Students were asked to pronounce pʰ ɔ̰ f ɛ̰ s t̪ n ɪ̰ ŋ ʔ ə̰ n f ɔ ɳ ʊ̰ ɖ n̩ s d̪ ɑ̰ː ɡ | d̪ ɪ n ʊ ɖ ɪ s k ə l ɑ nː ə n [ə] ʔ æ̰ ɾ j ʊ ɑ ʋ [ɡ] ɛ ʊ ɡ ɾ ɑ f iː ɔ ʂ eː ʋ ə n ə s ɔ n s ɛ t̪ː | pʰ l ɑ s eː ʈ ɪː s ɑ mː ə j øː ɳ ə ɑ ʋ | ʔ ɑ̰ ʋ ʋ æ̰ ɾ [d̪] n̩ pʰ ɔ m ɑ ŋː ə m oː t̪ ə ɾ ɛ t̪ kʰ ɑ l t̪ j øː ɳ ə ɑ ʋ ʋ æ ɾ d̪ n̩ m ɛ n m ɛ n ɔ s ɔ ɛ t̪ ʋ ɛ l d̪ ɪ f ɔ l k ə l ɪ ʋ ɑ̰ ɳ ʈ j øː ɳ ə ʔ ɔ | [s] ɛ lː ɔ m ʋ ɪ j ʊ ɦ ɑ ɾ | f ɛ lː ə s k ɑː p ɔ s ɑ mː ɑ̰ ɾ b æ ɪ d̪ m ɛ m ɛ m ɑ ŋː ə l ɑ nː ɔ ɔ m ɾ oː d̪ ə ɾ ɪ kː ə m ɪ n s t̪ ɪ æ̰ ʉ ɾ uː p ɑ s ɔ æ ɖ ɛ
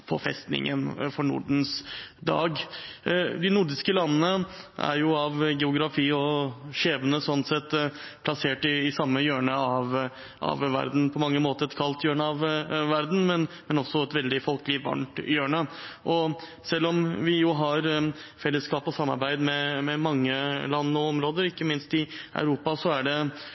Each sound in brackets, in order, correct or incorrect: correct, correct, correct, correct

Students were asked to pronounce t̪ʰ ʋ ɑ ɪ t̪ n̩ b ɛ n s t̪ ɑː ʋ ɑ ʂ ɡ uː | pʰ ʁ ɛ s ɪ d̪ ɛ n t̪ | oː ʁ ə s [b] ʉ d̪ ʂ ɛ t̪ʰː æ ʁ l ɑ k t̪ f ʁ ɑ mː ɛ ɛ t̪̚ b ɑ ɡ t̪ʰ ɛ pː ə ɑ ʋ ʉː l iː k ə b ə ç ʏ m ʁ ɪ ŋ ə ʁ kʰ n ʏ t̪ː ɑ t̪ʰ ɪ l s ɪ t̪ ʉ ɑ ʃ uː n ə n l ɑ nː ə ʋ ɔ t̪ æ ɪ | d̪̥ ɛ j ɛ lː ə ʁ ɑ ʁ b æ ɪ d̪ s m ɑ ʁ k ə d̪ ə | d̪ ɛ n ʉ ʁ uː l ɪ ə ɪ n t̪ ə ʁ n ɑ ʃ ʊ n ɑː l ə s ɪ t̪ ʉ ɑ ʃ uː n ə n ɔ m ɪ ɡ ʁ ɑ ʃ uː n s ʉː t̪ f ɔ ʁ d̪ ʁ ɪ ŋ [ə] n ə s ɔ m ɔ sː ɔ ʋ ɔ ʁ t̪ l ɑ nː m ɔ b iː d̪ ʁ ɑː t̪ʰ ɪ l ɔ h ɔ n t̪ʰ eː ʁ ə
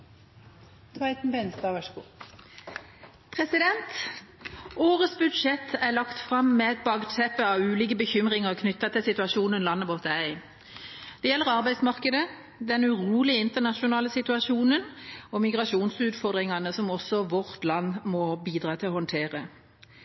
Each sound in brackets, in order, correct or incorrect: correct, incorrect: ɑ

